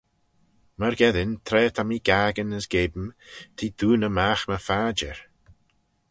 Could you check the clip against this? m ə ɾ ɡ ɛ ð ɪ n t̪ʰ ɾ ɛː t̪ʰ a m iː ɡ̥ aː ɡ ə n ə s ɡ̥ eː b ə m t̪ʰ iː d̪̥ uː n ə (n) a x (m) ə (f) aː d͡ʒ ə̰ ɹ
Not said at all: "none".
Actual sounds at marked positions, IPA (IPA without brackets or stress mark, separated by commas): m, m, f